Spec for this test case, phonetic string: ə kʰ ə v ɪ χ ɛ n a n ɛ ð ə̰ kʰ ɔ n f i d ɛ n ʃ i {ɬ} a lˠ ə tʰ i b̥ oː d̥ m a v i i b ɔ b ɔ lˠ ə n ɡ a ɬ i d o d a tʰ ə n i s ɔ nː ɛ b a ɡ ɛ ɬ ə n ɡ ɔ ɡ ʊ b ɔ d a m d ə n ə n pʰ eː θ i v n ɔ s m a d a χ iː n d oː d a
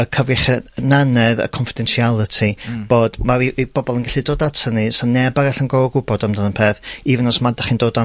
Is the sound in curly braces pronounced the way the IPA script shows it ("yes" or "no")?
no